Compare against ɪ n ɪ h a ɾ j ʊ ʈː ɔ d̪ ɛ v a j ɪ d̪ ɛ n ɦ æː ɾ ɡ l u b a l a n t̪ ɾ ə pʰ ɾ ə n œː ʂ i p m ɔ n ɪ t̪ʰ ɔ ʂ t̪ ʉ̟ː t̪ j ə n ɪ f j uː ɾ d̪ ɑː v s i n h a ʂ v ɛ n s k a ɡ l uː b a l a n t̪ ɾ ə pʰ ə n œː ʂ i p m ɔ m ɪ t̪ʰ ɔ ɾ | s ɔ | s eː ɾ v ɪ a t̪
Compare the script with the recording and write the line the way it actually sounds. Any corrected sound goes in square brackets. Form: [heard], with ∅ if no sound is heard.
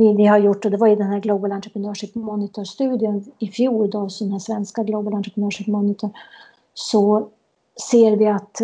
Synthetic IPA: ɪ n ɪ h a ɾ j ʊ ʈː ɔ d̪ ɛ v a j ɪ d̪ ɛ n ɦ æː ɾ ɡ l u b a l a n t̪ ɾ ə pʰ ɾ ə n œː ʂ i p m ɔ n ɪ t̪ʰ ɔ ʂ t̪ ʉ̟ː [d̪] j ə n ɪ f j uː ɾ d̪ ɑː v s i n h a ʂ v ɛ n s k a ɡ l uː b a l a n t̪ ɾ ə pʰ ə n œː ʂ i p m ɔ [n] ɪ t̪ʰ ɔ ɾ | s ɔ | s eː ɾ v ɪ a t̪